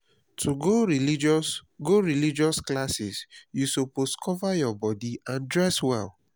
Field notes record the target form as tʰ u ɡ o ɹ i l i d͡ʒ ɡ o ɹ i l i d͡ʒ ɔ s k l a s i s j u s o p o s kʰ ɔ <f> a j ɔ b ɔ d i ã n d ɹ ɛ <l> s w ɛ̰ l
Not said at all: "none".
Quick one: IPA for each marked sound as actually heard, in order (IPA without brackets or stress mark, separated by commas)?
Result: v, none